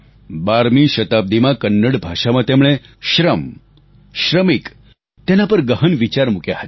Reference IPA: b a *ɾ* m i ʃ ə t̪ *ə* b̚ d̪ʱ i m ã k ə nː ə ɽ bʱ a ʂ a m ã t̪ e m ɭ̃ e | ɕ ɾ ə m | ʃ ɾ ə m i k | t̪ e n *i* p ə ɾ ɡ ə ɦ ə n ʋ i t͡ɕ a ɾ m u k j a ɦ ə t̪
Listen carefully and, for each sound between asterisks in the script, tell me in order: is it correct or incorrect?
correct, incorrect: a, incorrect: a

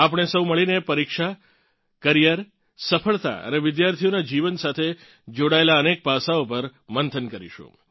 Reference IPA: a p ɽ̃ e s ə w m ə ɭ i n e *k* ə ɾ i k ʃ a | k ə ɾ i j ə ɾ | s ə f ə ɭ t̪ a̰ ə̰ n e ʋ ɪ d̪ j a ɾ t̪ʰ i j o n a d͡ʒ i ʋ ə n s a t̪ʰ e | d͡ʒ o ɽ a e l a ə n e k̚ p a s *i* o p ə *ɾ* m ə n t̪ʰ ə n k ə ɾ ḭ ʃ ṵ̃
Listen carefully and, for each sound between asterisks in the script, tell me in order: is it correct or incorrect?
incorrect: p, incorrect: a, correct

